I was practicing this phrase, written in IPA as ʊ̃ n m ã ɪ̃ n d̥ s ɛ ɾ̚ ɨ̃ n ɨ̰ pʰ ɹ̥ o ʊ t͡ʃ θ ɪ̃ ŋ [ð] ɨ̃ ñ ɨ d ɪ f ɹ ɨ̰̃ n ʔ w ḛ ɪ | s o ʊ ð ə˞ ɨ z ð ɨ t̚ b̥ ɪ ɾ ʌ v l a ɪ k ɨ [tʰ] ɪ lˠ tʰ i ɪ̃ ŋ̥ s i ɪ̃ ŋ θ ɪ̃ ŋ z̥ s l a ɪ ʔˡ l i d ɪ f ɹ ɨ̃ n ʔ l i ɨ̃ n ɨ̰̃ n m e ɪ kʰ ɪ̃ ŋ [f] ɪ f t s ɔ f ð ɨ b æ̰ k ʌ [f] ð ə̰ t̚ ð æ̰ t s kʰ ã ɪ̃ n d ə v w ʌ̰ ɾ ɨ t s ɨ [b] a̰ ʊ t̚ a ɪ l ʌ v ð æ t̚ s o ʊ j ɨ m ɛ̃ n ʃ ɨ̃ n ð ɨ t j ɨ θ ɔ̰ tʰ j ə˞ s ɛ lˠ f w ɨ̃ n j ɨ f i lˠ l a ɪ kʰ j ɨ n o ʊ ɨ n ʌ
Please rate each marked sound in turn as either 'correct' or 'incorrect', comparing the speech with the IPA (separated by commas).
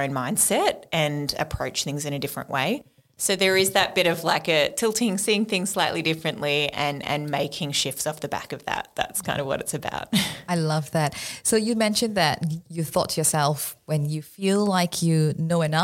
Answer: incorrect, correct, incorrect, incorrect, correct